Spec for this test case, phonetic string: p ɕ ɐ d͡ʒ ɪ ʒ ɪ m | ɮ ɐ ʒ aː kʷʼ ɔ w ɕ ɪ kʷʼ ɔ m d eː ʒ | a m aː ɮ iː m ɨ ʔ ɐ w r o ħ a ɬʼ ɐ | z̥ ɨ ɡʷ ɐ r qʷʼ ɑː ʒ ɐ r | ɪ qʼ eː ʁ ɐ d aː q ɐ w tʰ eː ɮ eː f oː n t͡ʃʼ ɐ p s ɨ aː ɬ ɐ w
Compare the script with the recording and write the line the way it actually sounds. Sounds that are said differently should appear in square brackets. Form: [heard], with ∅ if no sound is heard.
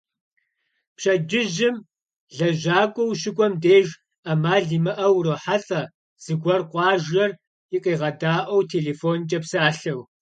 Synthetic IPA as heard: p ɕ ɐ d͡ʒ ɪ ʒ ɪ m | ɮ ɐ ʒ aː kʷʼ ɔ w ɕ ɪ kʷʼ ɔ m d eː ʒ | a m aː ɮ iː m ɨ ʔ ɐ w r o ħ a ɬʼ ɐ | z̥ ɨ ɡʷ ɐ r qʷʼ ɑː ʒ ɐ r | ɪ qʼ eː ʁ ɐ d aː [ʔ] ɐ w tʰ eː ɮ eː f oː n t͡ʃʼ ɐ p s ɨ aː ɬ ɐ w